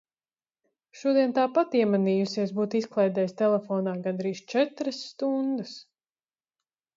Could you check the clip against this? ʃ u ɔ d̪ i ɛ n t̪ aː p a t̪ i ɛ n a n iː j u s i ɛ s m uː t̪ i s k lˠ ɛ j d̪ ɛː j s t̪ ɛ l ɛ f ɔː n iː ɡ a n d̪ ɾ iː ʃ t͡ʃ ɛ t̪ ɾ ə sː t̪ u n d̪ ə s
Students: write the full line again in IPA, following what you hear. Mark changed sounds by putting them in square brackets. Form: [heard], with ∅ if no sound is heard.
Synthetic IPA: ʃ u ɔ d̪ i ɛ n t̪ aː p a t̪ i ɛ [m] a n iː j u s i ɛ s [b] uː t̪ i s k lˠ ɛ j d̪ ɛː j s t̪ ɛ l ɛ f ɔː n [aː] ɡ a n d̪ ɾ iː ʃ t͡ʃ ɛ t̪ ɾ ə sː t̪ u n d̪ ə s